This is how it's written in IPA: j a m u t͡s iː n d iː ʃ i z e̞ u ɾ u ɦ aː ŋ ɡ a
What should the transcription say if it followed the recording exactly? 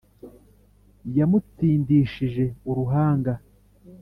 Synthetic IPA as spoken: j a m u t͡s iː n d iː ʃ i ʒ e̞ u ɾ u ɦ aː ŋ ɡ a

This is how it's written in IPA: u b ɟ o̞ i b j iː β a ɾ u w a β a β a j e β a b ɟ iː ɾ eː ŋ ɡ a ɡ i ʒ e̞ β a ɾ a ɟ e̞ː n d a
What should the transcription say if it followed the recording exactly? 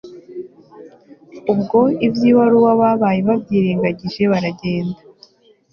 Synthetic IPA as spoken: u b ɡ o̞ i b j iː β a ɾ u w a β a β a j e β a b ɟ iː ɾ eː ŋ ɡ a ɟ i ʒ e̞ β a ɾ a ɟ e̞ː n d a

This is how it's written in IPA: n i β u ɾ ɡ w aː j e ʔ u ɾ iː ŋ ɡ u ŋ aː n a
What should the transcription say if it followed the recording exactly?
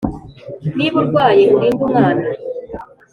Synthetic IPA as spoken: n i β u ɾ ɡ w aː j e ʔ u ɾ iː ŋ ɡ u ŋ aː n a

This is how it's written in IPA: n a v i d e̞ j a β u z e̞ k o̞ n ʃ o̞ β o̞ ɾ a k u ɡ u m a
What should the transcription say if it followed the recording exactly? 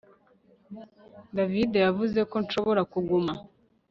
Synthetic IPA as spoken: d a v i d e̞ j a v u z e̞ k o̞ n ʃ o̞ β o̞ ɾ a k u ɡ u m a

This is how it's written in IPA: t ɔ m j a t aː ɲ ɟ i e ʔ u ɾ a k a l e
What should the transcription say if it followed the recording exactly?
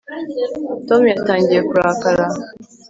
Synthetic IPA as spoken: t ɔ m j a t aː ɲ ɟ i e k u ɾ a k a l a

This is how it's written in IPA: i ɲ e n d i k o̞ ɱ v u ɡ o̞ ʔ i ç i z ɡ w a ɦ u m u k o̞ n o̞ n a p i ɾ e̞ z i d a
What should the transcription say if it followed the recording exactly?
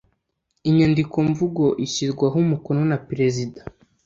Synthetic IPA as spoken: i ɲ a n d i k o̞ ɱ v u ɡ o̞ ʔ i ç i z ɡ w a ɦ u m u k o̞ n o̞ n a p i ɾ e̞ z i d a

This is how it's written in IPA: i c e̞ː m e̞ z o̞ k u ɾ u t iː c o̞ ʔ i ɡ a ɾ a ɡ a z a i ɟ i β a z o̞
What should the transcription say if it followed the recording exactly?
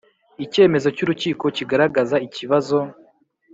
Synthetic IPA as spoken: i c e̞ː m e̞ z o̞ c u ɾ u c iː k o̞ c i ɡ a ɾ a ɡ a z a i c i β a z o̞

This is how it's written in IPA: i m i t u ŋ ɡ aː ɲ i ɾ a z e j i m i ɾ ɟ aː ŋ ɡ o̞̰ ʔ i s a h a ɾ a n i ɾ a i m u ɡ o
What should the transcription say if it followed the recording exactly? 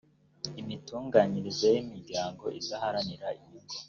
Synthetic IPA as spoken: i m i t uː ŋ ɡ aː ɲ i ɾ i z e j i m i ɾ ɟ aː ŋ ɡ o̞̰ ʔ i z a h a ɾ a n i ɾ a i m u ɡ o

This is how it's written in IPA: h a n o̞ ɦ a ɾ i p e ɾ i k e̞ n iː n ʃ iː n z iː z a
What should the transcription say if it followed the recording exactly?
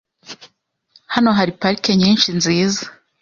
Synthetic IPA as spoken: h a n o̞ ɦ a ɾ i p a ɾ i k e̞ ɲ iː n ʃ i n z iː z a

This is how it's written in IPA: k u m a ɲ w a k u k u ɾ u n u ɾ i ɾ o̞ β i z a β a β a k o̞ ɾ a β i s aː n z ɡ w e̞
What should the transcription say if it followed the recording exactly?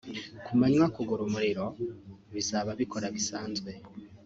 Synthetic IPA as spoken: k u m a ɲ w a k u ɡ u ɾ u m u ɾ i ɾ o̞ β i z a β a β i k o̞ ɾ a β i s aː n z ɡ w e̞

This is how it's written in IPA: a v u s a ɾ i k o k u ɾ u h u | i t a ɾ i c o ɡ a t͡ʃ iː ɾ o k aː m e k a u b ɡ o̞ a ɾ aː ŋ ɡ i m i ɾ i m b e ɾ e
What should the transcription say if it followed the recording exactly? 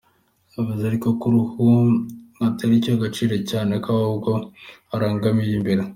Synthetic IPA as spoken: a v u z a ɾ i k o k u ɾ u h u | a t a ɾ i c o ɡ a t͡ʃ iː ɾ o c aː n e k a u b ɡ o̞ a ɾ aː ŋ ɡ a m i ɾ i m b e ɾ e

